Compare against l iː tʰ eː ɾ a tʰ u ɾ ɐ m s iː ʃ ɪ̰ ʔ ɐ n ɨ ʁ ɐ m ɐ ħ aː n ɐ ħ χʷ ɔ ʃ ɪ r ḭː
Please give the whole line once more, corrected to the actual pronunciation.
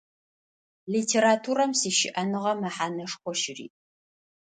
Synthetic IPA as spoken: l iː tʰ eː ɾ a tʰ u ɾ ɐ m s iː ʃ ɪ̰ ʔ ɐ n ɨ ʁ ɐ m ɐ ħ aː n ɐ ʂ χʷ ɔ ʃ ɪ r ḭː